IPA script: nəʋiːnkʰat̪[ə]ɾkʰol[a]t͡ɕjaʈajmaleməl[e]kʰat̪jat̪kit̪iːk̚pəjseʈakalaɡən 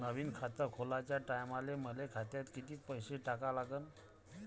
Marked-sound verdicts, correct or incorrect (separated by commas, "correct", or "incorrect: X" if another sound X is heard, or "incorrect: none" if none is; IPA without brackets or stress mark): correct, correct, correct